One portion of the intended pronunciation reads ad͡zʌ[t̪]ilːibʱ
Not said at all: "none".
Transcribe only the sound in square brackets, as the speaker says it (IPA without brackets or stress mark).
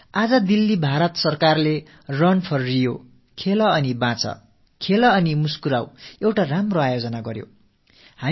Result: d̪